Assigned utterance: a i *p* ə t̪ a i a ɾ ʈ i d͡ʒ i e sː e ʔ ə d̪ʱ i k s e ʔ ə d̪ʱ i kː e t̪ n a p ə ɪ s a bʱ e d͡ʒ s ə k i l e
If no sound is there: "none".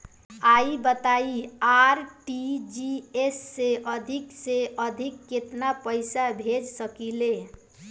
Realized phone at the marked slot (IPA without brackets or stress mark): b